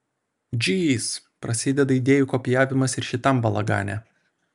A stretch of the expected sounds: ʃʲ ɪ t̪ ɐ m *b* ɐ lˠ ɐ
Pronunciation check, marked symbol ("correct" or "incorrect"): correct